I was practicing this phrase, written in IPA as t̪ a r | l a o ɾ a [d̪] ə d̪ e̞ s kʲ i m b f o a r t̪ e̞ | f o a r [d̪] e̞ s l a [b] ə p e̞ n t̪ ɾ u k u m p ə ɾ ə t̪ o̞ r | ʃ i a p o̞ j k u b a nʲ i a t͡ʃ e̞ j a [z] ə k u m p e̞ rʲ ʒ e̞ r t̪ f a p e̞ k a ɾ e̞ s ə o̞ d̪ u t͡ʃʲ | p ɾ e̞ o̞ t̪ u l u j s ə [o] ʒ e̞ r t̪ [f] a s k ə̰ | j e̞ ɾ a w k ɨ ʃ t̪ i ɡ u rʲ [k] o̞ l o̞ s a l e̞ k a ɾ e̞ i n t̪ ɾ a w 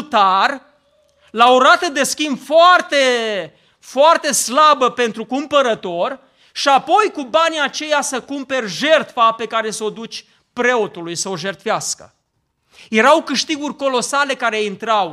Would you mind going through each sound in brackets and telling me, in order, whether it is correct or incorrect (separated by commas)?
incorrect, incorrect, correct, incorrect, correct, correct, correct